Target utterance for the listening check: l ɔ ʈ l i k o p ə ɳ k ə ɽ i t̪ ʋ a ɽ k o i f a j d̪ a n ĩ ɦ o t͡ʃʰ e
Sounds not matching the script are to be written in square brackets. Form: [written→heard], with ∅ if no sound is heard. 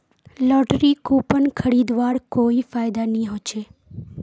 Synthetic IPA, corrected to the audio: l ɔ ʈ [l→ɾ] i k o p ə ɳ [k→kʰ] ə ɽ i [t̪→d̪] ʋ a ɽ k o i f a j d̪ a n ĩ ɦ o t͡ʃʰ e